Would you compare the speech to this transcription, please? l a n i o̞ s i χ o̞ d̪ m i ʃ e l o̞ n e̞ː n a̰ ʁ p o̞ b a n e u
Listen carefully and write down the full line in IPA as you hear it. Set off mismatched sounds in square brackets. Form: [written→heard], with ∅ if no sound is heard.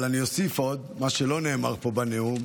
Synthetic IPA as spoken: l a n i o̞ s i [χ→f] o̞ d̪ m [i→a] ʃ e l o̞ n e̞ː [n→m] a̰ ʁ p o̞ b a n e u